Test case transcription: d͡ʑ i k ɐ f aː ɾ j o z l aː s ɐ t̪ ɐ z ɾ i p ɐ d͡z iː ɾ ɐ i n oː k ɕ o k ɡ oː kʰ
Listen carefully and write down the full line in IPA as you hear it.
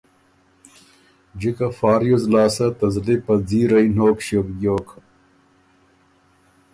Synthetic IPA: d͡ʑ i k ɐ f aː ɾ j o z l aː s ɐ t̪ ɐ z l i p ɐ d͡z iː ɾ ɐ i n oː k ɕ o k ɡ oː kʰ